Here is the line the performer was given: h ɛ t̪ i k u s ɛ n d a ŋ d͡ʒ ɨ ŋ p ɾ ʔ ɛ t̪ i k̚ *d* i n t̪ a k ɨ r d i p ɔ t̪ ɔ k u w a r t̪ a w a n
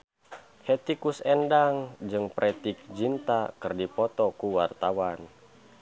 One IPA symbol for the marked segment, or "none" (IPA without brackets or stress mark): d͡ʒ